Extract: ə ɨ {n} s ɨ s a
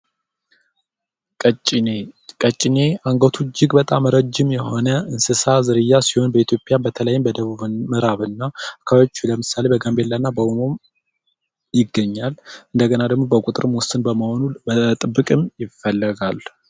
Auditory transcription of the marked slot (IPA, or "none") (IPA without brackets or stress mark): n